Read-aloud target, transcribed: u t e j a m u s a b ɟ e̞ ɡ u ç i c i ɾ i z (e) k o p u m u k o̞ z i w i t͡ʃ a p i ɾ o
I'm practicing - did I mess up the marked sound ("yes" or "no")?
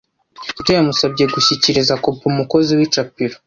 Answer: yes